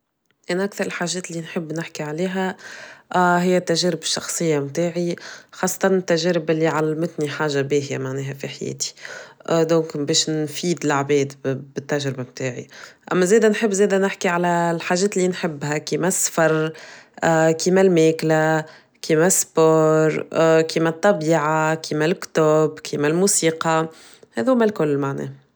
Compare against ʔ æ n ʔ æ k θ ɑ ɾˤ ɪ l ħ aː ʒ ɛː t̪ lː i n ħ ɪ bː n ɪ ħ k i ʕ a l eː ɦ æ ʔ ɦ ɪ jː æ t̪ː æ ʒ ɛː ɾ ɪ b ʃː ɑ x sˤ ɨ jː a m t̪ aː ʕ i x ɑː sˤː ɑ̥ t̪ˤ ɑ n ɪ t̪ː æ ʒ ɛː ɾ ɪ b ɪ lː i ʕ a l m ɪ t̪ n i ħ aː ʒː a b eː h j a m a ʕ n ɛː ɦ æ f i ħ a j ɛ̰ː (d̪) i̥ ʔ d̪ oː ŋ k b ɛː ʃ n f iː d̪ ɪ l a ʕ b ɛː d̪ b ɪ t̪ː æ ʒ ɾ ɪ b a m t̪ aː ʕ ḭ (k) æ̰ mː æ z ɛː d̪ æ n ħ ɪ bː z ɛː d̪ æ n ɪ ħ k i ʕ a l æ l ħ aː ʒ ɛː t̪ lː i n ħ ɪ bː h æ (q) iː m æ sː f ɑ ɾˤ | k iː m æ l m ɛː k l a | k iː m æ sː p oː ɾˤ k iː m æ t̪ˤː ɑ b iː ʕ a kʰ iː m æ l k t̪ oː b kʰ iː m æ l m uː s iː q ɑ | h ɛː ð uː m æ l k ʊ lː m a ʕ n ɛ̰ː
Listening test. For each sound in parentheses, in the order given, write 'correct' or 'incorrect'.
incorrect: t̪, incorrect: ʔ, incorrect: k

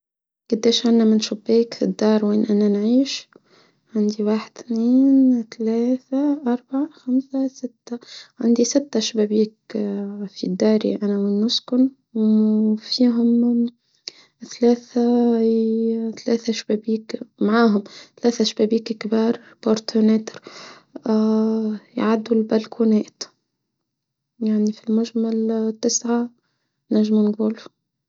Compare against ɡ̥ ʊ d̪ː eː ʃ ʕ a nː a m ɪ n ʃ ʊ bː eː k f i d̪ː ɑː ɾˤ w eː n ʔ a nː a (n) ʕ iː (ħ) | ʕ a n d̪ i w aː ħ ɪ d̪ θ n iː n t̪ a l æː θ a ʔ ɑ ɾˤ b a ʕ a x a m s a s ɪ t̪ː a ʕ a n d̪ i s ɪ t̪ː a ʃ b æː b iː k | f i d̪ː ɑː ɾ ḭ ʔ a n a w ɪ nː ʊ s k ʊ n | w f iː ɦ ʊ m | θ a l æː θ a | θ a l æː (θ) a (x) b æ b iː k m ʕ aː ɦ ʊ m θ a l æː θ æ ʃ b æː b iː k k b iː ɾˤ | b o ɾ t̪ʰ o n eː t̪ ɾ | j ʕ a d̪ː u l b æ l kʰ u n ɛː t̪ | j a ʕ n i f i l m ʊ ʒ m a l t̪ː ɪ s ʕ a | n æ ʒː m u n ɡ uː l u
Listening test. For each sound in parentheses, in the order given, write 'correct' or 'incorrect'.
correct, incorrect: ʃ, correct, incorrect: ʃ

